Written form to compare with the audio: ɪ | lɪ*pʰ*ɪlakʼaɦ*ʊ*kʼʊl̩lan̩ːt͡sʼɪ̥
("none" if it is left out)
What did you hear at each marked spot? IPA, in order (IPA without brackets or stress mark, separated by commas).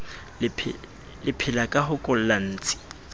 pʰ, ʊ